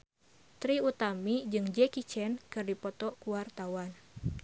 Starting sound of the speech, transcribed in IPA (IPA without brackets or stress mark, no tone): t̪